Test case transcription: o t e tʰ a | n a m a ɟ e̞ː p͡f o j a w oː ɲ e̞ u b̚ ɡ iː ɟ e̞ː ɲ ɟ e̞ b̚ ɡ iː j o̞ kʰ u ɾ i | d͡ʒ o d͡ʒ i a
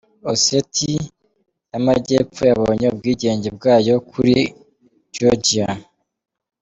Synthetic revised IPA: o s e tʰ i | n a m a ɟ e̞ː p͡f o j a β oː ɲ e̞ u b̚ ɡ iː ɟ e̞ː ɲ ɟ e̞ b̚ ɡ aː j o̞ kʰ u ɾ i | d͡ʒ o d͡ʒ i a